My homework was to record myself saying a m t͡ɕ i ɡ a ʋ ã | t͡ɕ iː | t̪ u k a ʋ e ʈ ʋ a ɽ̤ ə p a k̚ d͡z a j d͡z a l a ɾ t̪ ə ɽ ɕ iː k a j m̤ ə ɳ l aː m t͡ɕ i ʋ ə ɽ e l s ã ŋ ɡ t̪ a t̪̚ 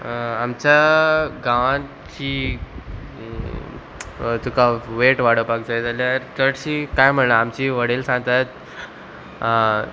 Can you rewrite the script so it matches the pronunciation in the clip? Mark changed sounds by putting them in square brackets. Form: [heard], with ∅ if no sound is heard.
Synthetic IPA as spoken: a m t͡ɕ [a] ɡ a ʋ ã | t͡ɕ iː | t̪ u k a ʋ e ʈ ʋ a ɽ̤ ə p a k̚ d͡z a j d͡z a l a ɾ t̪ ə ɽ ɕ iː k a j m̤ ə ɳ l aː m t͡ɕ i ʋ ə ɽ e l s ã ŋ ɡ t̪ a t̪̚